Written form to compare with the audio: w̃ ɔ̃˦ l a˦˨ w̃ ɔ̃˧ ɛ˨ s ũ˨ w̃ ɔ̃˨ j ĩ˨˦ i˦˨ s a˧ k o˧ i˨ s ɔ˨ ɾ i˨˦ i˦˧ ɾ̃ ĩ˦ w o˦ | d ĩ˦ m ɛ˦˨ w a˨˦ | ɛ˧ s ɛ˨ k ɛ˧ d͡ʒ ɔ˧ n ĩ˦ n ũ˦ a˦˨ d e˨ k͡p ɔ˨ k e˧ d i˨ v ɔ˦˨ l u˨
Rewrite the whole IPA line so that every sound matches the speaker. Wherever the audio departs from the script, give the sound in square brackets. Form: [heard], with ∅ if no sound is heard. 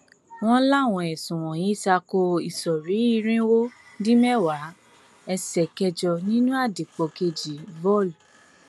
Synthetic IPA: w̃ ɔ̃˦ l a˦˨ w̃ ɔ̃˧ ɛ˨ s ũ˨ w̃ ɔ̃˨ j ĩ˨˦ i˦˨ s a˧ k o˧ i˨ s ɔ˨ ɾ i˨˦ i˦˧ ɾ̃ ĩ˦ w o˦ | d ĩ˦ m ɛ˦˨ w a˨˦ | ɛ˧ s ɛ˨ k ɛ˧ d͡ʒ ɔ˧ n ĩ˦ n ũ˦ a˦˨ d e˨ k͡p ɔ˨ k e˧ [d͡ʒ] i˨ v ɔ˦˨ l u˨